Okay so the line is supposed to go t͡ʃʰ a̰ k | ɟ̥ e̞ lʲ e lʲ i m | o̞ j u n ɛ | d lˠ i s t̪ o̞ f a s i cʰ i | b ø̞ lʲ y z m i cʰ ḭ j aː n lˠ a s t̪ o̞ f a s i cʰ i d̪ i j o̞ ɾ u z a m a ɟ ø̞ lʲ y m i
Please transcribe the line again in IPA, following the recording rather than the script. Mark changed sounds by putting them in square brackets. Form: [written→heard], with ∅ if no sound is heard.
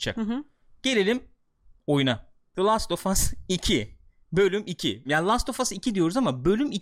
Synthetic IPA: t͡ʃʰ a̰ k | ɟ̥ e̞ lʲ e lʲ i m | o̞ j u n [ɛ→a] | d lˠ [i→a] s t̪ o̞ f a s i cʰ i | b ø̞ lʲ y [z→∅] m i cʰ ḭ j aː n lˠ a s t̪ o̞ f a s i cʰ i d̪ i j o̞ ɾ u z a m a [ɟ→b] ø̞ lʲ y m i